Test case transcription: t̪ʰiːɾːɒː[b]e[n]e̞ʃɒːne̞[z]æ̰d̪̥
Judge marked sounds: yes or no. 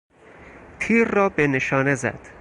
yes, yes, yes

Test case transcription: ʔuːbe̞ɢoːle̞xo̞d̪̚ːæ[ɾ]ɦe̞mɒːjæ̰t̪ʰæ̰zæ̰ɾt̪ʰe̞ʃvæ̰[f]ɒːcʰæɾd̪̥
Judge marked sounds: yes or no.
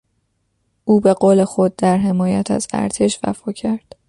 yes, yes

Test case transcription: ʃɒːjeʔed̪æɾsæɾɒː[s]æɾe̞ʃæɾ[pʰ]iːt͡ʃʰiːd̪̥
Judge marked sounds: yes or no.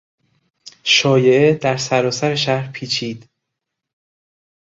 yes, yes

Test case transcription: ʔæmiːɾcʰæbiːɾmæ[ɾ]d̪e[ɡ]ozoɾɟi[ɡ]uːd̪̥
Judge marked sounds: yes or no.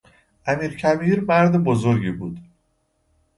yes, no, no

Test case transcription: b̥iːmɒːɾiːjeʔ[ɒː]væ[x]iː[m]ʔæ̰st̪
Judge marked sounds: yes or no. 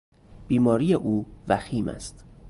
no, yes, yes

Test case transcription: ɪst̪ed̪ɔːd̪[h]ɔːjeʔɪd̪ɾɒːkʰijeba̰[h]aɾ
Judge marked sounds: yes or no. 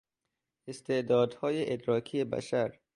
yes, no

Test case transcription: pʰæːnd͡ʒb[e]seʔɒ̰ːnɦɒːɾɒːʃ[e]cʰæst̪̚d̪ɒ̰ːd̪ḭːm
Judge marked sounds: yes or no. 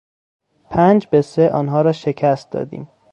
yes, yes

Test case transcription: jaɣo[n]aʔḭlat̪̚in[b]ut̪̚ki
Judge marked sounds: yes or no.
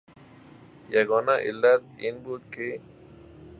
yes, yes

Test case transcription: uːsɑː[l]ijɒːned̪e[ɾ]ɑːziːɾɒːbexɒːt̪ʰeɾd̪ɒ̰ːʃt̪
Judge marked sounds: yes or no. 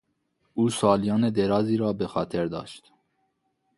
yes, yes

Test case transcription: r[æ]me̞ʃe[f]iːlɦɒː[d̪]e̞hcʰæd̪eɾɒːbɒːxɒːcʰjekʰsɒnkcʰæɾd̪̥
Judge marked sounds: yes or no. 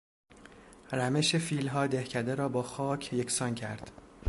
yes, yes, yes

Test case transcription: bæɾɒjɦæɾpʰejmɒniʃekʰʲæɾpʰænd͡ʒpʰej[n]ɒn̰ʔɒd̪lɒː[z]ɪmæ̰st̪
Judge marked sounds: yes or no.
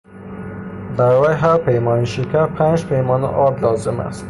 no, yes

